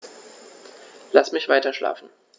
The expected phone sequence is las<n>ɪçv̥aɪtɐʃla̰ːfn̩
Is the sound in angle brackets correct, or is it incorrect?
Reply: incorrect: m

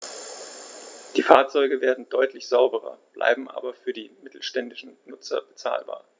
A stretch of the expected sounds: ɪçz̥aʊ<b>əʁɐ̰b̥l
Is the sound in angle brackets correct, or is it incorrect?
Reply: correct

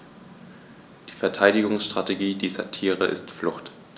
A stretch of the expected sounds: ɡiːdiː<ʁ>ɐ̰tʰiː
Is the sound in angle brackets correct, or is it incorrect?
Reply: incorrect: z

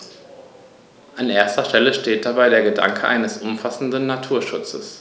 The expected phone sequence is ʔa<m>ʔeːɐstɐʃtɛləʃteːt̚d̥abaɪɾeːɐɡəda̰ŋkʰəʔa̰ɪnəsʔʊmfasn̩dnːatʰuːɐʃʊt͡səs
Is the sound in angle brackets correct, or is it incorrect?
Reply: incorrect: n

